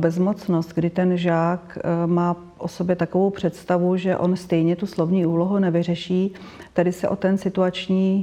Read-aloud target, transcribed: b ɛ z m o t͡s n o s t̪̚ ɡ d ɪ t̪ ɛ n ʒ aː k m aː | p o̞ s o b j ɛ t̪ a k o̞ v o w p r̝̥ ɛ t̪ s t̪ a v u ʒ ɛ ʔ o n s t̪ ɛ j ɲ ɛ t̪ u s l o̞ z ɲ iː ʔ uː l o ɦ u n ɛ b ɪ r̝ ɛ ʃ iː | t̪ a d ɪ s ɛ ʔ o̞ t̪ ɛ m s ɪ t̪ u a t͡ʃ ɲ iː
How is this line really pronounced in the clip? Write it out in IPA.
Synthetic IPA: b ɛ z m o t͡s n o s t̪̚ ɡ d ɪ t̪ ɛ n ʒ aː k m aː | ʔ o̞ s o b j ɛ t̪ a k o̞ v o w p r̝̥ ɛ t̪ s t̪ a v u ʒ ɛ ʔ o n s t̪ ɛ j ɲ ɛ t̪ u s l o̞ v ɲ iː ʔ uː l o ɦ u n ɛ v ɪ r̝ ɛ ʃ iː | t̪ a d ɪ s ɛ ʔ o̞ t̪ ɛ n s ɪ t̪ u a t͡ʃ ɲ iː